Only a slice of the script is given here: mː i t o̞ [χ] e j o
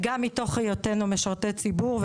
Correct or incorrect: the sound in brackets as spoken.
correct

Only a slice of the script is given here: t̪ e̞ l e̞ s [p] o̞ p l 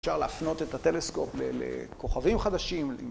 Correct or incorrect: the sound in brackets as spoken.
incorrect: k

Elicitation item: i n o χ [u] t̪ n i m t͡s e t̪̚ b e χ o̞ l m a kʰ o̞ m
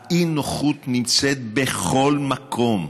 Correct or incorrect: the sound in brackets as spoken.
correct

